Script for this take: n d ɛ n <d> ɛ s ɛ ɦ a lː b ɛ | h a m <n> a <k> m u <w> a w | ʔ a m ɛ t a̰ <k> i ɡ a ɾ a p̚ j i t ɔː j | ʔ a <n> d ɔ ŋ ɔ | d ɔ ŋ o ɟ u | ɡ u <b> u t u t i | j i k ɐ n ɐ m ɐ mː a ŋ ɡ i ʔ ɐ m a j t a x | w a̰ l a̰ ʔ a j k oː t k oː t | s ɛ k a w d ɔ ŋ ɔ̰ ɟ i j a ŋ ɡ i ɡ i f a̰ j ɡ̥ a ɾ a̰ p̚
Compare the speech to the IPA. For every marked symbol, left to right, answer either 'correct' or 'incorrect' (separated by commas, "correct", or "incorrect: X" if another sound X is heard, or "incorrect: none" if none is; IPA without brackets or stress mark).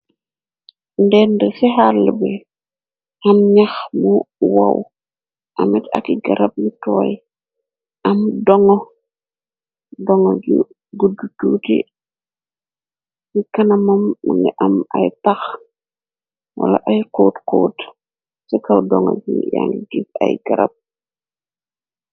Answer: correct, incorrect: ɲ, incorrect: x, correct, correct, incorrect: m, incorrect: d